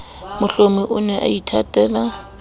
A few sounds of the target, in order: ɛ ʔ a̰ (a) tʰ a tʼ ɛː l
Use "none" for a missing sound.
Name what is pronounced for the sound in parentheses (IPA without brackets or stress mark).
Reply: i